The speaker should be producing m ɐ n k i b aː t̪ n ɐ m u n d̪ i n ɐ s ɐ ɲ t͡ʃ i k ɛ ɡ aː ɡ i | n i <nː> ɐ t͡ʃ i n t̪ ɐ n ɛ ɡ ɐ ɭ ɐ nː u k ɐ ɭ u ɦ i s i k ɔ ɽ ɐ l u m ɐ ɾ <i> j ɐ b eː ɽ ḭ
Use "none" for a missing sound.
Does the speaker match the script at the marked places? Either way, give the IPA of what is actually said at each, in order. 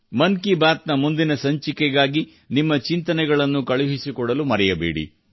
mː, ɛ

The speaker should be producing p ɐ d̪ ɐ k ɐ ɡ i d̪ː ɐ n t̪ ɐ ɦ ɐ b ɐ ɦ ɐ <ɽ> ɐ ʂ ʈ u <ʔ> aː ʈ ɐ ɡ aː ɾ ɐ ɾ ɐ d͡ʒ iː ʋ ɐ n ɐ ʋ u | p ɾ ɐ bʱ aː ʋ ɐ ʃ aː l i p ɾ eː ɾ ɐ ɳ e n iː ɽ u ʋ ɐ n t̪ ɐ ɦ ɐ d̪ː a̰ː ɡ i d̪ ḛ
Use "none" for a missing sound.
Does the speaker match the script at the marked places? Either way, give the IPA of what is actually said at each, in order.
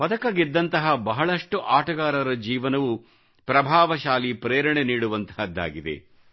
ɭ, ʔ

